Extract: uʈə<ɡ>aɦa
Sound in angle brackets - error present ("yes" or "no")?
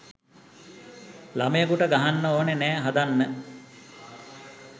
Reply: no